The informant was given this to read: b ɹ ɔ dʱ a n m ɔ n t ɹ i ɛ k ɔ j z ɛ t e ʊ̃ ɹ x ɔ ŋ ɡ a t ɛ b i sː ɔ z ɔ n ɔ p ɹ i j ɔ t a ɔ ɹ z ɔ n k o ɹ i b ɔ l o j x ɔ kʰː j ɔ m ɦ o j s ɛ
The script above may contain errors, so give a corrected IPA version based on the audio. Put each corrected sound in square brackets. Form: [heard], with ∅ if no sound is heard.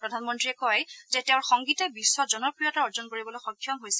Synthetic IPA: [p] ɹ ɔ dʱ a n m ɔ n t ɹ i ɛ k ɔ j z ɛ t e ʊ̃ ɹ x ɔ ŋ ɡ [i] t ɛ b i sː ɔ z ɔ n ɔ p ɹ i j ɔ t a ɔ ɹ z ɔ n k o ɹ i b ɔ l o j x ɔ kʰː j ɔ m ɦ o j s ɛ